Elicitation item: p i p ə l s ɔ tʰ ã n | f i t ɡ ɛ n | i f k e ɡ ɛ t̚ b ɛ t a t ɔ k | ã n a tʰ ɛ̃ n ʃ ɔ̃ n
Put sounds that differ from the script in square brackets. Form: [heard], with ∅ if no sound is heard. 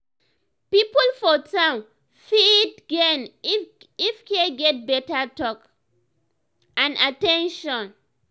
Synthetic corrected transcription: p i p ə l [f] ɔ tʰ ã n | f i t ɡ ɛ n | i f k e ɡ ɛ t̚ b ɛ t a t ɔ k | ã n a [t] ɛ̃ n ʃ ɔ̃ n